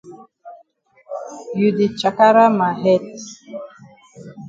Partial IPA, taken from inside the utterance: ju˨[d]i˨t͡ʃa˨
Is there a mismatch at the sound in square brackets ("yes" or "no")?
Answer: no